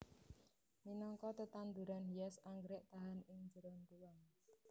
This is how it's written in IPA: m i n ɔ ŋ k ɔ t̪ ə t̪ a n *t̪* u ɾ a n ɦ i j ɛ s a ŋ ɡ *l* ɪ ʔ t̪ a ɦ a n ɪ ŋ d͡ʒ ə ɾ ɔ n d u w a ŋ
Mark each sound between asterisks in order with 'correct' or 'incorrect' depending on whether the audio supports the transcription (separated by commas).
incorrect, incorrect